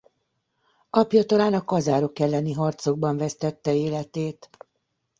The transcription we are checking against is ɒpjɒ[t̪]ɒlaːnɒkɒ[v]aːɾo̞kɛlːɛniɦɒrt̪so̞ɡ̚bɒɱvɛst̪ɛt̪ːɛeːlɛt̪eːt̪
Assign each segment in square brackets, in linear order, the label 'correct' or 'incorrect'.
correct, incorrect

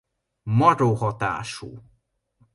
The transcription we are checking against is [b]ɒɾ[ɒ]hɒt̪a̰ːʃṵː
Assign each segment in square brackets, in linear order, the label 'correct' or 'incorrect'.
incorrect, incorrect

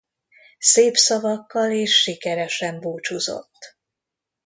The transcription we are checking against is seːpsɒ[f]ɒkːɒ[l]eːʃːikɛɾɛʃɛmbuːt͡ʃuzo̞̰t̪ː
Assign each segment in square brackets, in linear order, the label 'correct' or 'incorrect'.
incorrect, correct

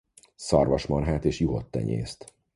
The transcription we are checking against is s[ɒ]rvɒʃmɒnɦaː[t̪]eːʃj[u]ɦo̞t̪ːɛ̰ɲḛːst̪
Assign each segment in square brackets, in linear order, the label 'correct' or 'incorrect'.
correct, correct, correct

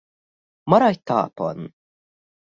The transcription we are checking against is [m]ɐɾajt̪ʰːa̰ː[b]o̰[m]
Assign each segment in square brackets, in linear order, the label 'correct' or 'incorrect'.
correct, incorrect, incorrect

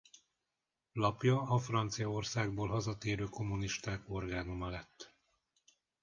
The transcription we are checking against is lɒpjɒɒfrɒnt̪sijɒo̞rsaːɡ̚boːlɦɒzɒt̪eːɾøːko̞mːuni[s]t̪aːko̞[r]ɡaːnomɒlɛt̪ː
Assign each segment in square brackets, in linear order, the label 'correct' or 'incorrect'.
incorrect, correct

